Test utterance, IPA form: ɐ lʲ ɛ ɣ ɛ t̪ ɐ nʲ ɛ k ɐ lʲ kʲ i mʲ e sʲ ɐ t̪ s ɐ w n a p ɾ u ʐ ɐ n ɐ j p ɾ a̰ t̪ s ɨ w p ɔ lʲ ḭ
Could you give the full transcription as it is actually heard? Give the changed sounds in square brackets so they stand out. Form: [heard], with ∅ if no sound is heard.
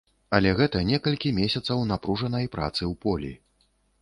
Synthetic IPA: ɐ lʲ ɛ ɣ ɛ t̪ ɐ nʲ ɛ k ɐ lʲ kʲ i mʲ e sʲ ɐ t̪ s ɐ w n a p ɾ u ʐ ɐ n ɐ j p ɾ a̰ t̪ s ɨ w p ɔ lʲ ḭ

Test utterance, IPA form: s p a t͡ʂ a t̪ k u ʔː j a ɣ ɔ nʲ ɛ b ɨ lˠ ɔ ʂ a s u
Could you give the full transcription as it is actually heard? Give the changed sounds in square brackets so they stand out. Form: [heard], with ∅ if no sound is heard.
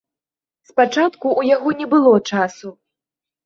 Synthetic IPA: s p a t͡ʂ a t̪ k u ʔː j a ɣ ɔ nʲ ɛ b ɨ lˠ ɔ [t͡ʂ] a s u

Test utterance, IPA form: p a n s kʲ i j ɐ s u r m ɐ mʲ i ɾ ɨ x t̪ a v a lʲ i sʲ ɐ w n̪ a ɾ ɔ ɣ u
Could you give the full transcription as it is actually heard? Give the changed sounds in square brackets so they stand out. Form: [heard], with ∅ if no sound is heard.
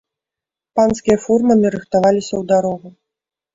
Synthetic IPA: p a n s kʲ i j ɐ [f] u r m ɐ mʲ i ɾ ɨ x t̪ a v a lʲ i sʲ ɐ w [d̪] a ɾ ɔ ɣ u

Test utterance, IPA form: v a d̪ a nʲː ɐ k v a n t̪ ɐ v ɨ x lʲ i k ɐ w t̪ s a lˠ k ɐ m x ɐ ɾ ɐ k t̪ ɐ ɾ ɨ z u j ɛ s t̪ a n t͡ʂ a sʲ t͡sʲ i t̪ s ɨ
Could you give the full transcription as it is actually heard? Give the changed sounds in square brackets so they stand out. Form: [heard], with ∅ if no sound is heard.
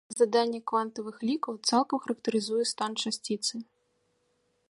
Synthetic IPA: [z] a d̪ a nʲː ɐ k v a n t̪ ɐ v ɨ x lʲ i k ɐ w t̪ s a lˠ k ɐ m x ɐ ɾ ɐ k t̪ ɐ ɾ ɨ z u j ɛ s t̪ a n t͡ʂ a sʲ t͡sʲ i t̪ s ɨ

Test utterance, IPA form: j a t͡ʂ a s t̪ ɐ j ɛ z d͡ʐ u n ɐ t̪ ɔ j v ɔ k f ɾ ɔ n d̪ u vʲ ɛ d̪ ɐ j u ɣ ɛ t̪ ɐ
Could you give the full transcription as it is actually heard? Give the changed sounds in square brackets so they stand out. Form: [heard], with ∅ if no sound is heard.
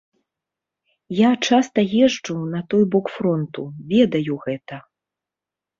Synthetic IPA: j a t͡ʂ a s t̪ ɐ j ɛ [ʐ] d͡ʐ u n ɐ t̪ ɔ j [b] ɔ k f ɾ ɔ n [t̪] u vʲ ɛ d̪ ɐ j u ɣ ɛ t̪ ɐ

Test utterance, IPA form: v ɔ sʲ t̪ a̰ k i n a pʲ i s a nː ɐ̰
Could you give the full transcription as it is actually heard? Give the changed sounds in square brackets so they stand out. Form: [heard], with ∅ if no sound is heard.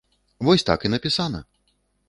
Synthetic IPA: v ɔ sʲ t̪ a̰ k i n [ɐ] pʲ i s a [n] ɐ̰

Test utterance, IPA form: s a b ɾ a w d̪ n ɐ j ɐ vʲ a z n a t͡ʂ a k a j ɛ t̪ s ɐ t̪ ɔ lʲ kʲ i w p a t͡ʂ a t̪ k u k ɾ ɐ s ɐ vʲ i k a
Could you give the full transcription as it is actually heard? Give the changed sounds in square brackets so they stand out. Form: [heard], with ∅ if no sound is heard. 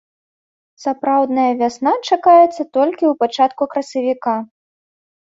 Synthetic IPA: s a [p] ɾ a w d̪ n ɐ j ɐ vʲ a [s] n a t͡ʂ a k a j ɛ t̪ [sː] ɐ t̪ ɔ lʲ kʲ i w p a t͡ʂ a t̪ k u k ɾ ɐ s ɐ vʲ i k a

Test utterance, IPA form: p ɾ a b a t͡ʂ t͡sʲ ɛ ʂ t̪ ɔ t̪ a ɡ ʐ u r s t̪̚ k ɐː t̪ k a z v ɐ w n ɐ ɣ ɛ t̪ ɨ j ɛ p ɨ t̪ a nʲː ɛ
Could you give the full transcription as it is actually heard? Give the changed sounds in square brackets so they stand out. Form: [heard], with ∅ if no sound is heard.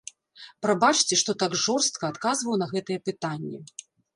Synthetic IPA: p ɾ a b a t͡ʂ t͡sʲ ɛ ʂ t̪ ɔ t̪ a ɡ ʐ [ɔ] r s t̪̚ k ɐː t̪ k a z v ɐ w n ɐ ɣ ɛ t̪ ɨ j ɛ p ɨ t̪ a nʲː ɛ

